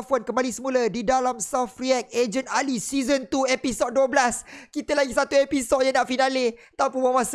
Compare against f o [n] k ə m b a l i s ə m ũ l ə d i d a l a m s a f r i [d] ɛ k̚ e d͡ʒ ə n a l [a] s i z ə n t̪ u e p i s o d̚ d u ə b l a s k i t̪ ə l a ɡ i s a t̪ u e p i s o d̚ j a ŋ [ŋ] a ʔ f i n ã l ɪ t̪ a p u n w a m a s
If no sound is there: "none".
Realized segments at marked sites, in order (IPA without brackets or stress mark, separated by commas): n, none, i, n